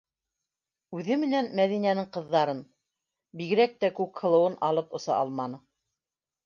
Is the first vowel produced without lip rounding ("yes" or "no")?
no